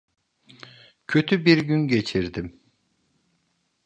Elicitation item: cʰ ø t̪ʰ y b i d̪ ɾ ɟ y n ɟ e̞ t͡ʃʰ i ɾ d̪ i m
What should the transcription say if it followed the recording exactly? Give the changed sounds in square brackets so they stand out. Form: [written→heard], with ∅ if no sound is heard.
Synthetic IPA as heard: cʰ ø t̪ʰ y b i [d̪→∅] ɾ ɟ y n ɟ e̞ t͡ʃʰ i ɾ d̪ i m